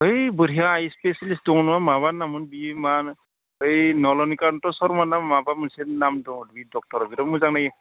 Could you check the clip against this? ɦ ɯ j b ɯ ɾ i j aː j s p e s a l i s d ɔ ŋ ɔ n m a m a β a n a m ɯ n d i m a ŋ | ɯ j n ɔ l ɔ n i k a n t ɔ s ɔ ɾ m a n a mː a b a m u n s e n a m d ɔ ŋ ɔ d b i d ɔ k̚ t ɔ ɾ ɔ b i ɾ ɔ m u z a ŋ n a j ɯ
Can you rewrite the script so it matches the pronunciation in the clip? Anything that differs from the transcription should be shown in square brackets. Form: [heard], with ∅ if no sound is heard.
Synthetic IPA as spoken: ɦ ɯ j b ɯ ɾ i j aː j s p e s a l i s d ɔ ŋ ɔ n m a m a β a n a m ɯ n [b] i m a [n] | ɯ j n ɔ l ɔ n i k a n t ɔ s ɔ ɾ m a n a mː a b a m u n s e n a m d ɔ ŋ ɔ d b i d ɔ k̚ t ɔ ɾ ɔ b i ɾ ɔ m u z a ŋ n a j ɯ